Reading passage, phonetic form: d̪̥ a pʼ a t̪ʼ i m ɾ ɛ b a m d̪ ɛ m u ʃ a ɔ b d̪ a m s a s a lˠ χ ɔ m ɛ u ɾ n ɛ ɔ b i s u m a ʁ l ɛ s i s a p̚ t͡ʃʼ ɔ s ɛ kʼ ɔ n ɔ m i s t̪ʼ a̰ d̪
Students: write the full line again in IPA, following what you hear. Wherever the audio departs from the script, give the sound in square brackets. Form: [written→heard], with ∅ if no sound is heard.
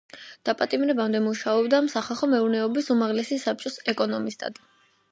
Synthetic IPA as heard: d̪̥ a pʼ a t̪ʼ i m ɾ ɛ b a m d̪ ɛ m u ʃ a ɔ b d̪ a m s a [s→χ] a lˠ χ ɔ m ɛ u ɾ n ɛ ɔ b i s u m a ʁ l ɛ s i s a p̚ t͡ʃʼ ɔ s ɛ kʼ ɔ n ɔ m i s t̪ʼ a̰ d̪

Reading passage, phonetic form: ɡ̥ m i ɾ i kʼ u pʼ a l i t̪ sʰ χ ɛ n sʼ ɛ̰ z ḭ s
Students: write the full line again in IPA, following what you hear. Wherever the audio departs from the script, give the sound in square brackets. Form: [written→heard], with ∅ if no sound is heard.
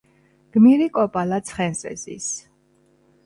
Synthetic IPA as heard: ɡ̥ m i ɾ i kʼ [u→ɔ] pʼ a l [i→a] t̪ sʰ χ ɛ n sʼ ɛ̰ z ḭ s

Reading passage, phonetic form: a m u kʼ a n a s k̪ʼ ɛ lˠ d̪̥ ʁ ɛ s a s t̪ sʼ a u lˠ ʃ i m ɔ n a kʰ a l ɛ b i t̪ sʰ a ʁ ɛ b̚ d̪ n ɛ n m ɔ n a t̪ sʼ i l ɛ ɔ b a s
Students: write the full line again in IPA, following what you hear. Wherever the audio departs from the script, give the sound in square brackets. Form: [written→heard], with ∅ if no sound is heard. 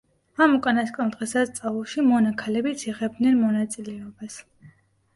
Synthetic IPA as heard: a m u kʼ a n a s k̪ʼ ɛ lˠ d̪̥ ʁ ɛ s a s t̪ sʼ a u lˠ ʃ i m ɔ n a kʰ a l ɛ b i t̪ sʰ [a→i] ʁ ɛ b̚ d̪ n ɛ n m ɔ n a t̪ sʼ i l ɛ ɔ b a s

